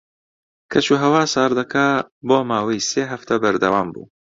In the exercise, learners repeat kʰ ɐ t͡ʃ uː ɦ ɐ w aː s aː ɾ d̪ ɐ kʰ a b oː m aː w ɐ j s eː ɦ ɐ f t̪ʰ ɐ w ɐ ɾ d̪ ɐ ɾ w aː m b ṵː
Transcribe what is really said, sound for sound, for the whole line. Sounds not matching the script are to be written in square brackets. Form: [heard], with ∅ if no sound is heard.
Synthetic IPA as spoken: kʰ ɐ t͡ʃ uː ɦ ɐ w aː s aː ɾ d̪ ɐ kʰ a b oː m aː w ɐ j s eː ɦ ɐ f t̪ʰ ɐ [b] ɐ ɾ d̪ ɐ [∅] w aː m b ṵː